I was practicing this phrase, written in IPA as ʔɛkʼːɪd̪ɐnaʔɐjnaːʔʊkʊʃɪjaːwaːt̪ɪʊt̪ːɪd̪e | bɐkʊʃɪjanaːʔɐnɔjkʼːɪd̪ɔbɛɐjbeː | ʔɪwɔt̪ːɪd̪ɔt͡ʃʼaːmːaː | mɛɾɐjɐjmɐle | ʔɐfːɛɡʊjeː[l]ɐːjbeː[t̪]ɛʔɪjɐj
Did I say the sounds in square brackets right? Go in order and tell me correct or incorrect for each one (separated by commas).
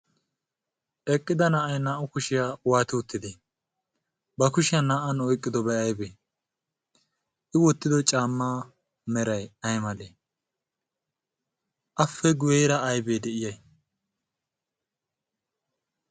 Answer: incorrect, incorrect